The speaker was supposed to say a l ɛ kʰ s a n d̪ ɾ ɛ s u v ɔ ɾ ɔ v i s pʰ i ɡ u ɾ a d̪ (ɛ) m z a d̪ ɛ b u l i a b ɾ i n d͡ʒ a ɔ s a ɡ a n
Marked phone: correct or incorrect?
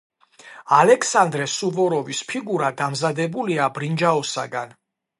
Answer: incorrect